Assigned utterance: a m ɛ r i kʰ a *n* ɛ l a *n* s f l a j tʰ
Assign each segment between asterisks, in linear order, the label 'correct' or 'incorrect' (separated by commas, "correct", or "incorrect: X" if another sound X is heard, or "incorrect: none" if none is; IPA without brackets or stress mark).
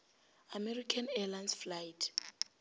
correct, correct